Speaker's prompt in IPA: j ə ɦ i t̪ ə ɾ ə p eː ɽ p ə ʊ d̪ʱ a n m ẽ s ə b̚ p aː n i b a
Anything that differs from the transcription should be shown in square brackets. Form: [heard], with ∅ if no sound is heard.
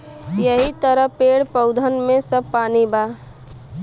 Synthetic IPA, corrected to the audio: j ə ɦ i t̪ ə ɾ ə p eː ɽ p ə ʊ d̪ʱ [ə] n m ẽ s ə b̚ p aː n i b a